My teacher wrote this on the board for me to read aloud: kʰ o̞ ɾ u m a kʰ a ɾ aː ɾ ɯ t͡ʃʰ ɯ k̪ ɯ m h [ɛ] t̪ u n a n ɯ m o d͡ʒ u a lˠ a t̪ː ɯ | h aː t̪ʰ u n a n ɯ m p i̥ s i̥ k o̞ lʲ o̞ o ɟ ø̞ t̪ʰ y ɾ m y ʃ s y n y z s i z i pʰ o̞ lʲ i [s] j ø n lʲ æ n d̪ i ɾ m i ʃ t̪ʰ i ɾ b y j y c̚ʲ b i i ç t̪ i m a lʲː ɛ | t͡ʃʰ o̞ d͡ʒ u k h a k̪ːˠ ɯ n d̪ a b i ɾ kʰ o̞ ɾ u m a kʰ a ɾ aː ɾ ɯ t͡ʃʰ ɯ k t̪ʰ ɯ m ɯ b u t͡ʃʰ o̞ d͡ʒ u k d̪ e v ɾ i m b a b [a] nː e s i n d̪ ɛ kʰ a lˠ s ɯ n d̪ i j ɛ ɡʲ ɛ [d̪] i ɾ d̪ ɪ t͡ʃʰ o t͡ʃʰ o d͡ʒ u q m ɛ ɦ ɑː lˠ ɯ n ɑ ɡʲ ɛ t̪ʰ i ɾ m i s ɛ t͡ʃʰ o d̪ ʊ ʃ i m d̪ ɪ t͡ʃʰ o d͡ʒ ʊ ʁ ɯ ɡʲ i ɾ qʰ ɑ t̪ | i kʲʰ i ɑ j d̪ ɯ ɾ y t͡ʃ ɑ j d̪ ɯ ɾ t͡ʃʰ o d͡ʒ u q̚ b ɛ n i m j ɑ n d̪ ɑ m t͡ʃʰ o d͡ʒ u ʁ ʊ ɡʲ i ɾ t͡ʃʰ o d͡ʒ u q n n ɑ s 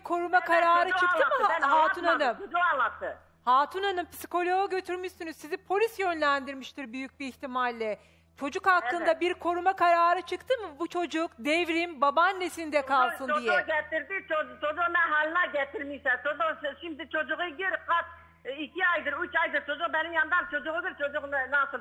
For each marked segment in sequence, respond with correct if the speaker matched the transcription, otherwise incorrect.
incorrect: a, correct, correct, incorrect: t̪

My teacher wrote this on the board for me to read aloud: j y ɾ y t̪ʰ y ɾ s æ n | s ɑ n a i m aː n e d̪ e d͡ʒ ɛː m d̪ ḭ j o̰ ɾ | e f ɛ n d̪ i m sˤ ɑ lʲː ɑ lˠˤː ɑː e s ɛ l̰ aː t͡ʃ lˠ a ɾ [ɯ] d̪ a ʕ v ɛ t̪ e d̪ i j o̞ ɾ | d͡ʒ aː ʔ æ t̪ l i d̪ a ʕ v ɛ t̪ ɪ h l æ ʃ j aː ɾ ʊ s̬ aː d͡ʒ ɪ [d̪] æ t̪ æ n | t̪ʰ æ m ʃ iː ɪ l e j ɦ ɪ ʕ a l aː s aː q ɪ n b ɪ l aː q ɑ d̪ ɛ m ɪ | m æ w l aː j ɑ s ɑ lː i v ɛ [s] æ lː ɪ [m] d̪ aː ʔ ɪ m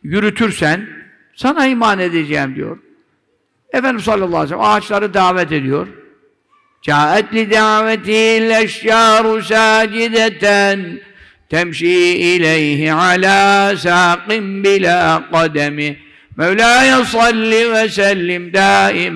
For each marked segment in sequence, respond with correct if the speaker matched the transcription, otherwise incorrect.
correct, correct, correct, correct

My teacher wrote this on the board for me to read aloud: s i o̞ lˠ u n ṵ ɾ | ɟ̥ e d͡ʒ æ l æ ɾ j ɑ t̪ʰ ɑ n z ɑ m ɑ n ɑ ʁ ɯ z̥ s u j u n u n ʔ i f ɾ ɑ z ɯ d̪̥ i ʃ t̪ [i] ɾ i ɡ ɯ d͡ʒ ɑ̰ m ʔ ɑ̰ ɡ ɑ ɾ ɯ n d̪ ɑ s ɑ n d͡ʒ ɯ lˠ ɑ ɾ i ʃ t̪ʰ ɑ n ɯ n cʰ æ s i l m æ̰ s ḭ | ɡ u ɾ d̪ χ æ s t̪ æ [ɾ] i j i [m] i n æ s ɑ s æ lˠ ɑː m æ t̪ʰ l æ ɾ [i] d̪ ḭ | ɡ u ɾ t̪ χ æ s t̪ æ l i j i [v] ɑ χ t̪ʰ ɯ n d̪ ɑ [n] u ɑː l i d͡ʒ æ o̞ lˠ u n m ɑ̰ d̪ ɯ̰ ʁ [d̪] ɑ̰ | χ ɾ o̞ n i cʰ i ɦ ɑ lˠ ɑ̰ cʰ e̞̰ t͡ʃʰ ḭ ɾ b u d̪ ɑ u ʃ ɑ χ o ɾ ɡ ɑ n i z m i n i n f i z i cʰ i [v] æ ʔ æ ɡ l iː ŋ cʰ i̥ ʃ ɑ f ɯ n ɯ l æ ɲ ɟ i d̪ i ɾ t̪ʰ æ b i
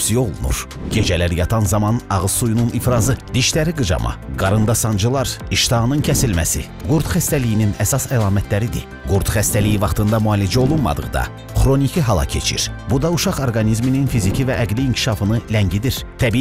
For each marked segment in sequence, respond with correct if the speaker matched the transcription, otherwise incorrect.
incorrect: æ, incorrect: l, incorrect: n, correct, correct, incorrect: m, correct, correct

